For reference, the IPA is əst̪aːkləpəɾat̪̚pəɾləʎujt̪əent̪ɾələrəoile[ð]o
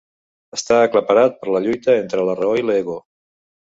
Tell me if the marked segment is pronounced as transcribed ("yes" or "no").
no